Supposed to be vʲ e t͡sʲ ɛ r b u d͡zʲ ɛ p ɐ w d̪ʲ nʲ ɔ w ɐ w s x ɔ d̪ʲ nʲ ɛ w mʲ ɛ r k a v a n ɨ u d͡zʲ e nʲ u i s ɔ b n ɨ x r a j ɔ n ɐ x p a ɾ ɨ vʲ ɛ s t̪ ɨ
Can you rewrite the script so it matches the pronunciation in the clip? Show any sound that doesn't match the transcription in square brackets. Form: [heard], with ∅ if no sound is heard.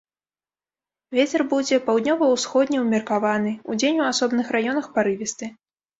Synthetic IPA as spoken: vʲ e t͡sʲ ɛ r b u d͡zʲ ɛ p [a] w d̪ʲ nʲ ɔ [v] ɐ w s x ɔ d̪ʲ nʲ ɛ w mʲ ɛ r k a v a n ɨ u d͡zʲ e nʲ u [a] s ɔ b n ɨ x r a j ɔ n ɐ x p a ɾ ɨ vʲ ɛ s t̪ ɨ